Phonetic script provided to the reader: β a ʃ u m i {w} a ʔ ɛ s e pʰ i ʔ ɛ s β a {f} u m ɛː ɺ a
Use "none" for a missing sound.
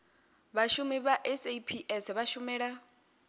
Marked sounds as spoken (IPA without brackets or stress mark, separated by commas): β, ʃ